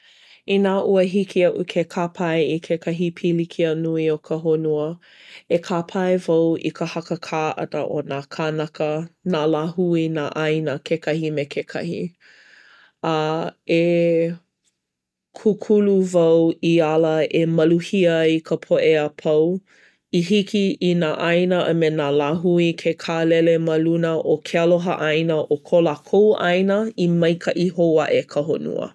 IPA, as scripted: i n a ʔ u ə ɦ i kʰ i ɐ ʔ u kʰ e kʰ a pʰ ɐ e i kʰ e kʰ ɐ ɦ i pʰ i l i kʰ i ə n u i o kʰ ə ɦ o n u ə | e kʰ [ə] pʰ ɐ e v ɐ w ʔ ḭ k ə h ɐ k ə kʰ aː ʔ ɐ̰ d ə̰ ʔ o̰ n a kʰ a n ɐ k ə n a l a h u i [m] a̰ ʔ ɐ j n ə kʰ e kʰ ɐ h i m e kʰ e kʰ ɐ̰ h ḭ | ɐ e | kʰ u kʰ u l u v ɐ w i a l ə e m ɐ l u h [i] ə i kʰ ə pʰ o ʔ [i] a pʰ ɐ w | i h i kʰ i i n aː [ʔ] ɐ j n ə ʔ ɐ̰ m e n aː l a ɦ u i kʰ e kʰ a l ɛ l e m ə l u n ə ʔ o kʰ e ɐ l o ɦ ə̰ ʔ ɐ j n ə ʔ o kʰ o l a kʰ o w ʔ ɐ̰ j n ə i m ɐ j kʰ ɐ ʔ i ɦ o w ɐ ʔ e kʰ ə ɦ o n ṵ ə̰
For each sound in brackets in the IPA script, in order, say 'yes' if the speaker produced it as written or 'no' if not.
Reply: no, no, yes, no, yes

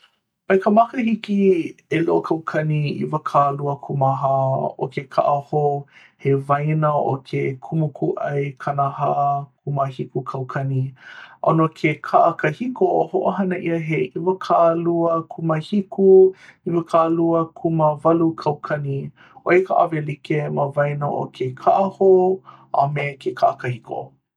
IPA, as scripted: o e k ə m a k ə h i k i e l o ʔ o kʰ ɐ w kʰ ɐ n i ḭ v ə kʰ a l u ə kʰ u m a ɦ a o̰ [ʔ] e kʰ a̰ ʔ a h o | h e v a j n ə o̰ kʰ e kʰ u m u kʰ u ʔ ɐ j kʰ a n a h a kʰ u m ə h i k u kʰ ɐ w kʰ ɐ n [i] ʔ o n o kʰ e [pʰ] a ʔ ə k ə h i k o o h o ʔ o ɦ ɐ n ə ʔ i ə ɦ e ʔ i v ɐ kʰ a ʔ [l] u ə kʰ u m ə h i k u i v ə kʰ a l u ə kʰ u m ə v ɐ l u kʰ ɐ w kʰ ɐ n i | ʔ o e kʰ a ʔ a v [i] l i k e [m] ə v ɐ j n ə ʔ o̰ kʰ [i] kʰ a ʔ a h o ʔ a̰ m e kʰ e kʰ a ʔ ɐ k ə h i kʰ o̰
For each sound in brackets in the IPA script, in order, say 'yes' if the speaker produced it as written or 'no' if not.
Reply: no, yes, no, yes, no, yes, no

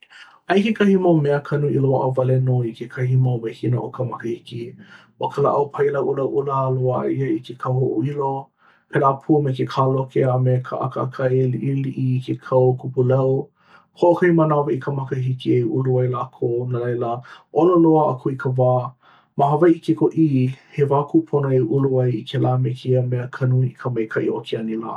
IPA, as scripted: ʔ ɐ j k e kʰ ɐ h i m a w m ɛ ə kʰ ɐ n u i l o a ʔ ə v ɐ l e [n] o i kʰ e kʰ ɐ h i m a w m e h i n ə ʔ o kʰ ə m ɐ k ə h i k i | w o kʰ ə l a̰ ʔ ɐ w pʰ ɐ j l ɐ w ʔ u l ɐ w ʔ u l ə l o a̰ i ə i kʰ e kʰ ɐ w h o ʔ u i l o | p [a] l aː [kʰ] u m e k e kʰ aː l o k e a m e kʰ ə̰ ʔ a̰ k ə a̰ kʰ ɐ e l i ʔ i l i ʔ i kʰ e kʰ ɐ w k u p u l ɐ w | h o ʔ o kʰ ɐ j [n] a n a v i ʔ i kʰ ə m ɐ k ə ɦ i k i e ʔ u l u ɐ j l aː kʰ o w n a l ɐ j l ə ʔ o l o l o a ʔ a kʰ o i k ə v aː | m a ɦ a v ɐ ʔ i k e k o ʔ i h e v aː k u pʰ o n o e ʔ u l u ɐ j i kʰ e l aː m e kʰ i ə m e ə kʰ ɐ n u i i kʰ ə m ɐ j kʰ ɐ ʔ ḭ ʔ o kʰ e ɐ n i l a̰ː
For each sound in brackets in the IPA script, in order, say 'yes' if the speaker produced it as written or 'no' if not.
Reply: yes, no, no, no

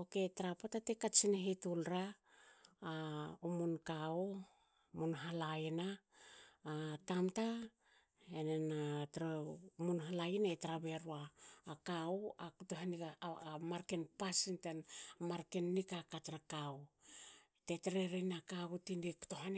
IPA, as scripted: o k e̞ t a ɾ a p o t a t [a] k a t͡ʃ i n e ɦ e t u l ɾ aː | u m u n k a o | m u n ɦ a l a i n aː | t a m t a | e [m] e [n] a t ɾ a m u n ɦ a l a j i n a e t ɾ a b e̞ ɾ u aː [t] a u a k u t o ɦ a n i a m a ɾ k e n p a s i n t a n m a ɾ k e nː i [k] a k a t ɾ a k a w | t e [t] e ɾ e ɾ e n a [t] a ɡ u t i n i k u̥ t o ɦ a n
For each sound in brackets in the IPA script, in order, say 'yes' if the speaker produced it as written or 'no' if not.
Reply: no, no, yes, no, yes, yes, no

